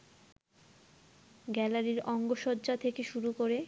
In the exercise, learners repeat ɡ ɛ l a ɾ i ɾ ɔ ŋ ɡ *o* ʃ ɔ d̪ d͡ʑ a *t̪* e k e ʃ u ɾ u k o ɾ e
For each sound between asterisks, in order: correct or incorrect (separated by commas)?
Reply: correct, incorrect